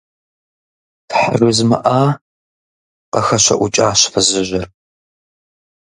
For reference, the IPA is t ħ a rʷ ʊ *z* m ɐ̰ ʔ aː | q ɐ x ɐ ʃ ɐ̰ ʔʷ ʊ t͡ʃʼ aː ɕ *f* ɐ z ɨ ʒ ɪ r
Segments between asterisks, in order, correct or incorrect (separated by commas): correct, correct